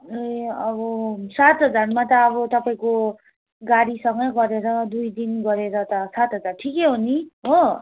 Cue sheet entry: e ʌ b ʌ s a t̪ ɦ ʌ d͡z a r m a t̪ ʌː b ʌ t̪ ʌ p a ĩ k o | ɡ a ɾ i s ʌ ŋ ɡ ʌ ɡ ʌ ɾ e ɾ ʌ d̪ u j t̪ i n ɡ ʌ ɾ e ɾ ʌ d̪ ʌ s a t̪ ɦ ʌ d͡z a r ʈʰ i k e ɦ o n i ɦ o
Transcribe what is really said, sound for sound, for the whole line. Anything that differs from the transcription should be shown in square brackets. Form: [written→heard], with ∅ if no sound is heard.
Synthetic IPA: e ʌ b ʌ s a t̪ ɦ ʌ d͡z a r m a t̪ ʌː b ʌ t̪ ʌ p a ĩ k o | ɡ a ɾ i s ʌ ŋ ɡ ʌ ɡ ʌ ɾ e ɾ ʌ d̪ u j [t̪→d̪] i n ɡ ʌ ɾ e ɾ ʌ [d̪→t̪] ʌ s a t̪ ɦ ʌ d͡z a r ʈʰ i k e ɦ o n i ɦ o